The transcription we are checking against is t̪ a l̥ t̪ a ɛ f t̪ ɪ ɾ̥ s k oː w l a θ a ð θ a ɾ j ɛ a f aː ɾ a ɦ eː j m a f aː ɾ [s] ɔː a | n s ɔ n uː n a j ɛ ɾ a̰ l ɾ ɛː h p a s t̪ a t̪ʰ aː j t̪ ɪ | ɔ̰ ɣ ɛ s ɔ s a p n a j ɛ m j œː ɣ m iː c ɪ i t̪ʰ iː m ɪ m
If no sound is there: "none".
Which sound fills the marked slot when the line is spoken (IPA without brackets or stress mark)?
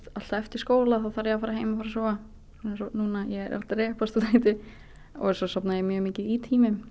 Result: s